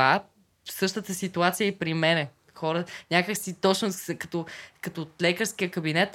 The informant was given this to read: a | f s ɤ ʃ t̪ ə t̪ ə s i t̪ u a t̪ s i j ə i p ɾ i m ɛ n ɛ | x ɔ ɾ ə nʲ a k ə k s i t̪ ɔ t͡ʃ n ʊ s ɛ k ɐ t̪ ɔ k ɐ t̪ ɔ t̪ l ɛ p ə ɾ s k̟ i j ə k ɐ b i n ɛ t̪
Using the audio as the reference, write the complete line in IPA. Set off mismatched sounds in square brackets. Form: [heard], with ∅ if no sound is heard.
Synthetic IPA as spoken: a | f s ɤ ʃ t̪ ə t̪ ə s i t̪ u a t̪ s i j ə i p ɾ i m ɛ n ɛ | x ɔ ɾ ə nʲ a k ə k s i t̪ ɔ t͡ʃ n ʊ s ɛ k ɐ t̪ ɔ k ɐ t̪ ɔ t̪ l ɛ [k] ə ɾ s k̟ i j ə k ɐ b i n ɛ t̪